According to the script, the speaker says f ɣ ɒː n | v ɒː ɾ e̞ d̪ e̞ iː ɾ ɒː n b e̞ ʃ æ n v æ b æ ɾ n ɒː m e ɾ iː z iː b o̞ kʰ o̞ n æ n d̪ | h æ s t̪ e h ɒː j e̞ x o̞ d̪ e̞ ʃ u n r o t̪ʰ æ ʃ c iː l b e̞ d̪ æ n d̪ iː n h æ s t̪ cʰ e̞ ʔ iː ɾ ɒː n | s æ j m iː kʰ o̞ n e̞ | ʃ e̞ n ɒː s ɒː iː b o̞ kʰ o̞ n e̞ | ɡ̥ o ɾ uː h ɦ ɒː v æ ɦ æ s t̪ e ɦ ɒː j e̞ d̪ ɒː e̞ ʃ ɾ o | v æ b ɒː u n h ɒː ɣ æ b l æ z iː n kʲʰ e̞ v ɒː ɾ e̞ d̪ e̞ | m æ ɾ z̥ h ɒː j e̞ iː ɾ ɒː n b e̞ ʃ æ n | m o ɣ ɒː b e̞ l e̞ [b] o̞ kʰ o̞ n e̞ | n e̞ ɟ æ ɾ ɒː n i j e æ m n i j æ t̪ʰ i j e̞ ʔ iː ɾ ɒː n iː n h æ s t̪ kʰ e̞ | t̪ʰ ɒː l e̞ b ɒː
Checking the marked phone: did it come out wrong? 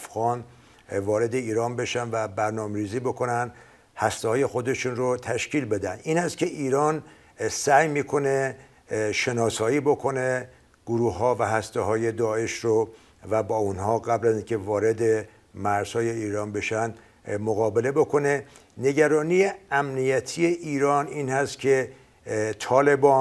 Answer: no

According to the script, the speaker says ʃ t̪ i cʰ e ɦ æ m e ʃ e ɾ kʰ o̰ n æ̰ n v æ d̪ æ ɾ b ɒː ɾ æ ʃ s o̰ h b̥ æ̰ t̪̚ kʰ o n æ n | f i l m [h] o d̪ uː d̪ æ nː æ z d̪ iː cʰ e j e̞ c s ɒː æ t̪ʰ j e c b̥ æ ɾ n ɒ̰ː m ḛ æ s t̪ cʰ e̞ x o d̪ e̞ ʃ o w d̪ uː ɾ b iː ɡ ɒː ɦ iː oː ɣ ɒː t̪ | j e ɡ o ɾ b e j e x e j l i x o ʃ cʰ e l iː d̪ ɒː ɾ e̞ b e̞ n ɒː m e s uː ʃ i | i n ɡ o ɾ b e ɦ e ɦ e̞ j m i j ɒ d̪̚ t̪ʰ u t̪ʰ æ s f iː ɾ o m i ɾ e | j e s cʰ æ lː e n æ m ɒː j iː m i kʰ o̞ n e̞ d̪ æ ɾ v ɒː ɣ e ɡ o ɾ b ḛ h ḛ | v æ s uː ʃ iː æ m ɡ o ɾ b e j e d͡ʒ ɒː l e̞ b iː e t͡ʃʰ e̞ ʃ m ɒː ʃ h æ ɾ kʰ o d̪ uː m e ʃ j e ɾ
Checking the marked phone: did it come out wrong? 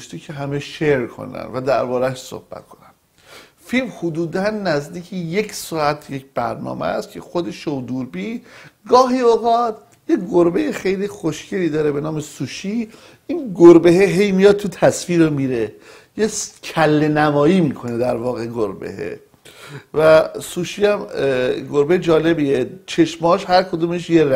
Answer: no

